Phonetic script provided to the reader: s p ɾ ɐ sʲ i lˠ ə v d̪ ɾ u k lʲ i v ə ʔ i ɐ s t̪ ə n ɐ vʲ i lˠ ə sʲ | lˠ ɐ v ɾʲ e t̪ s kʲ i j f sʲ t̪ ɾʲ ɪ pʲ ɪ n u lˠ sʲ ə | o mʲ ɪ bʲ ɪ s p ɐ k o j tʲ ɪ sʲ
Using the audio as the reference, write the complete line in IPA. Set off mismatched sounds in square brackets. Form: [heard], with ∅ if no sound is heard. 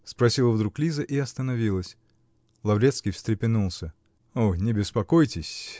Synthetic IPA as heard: s p ɾ ɐ sʲ i lˠ ə v d̪ ɾ u k lʲ i [z] ə ʔ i ɐ s t̪ ə n ɐ vʲ i lˠ ə sʲ | lˠ ɐ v ɾʲ e t̪ s kʲ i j f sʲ t̪ ɾʲ ɪ pʲ ɪ n u lˠ sʲ ə | o [nʲ] ɪ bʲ ɪ s p ɐ k o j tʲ ɪ sʲ